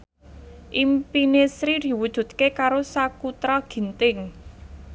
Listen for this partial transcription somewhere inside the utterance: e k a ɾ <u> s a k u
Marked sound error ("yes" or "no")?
yes